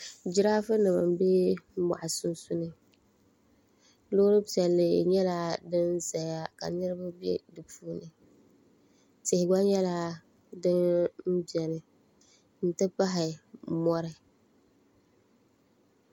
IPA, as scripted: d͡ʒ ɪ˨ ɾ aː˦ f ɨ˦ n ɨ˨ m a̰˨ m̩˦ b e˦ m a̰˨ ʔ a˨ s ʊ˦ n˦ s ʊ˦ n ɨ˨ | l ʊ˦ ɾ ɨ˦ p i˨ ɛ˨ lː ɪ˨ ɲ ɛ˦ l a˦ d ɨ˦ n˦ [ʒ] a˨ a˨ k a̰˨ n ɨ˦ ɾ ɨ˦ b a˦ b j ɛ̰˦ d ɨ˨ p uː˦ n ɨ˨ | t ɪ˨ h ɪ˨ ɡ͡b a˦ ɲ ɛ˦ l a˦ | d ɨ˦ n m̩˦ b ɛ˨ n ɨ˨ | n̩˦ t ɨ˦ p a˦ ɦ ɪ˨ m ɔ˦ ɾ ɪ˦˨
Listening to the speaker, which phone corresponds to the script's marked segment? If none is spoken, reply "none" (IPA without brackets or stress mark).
z